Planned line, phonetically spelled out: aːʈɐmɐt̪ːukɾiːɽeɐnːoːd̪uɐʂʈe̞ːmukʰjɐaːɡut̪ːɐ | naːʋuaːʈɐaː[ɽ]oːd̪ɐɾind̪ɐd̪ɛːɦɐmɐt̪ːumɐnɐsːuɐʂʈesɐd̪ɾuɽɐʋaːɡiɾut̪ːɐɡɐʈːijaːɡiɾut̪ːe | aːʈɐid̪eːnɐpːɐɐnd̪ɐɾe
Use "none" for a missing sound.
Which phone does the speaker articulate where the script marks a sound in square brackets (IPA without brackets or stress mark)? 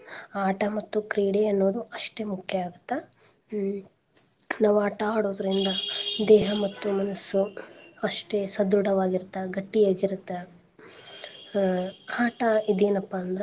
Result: ɽ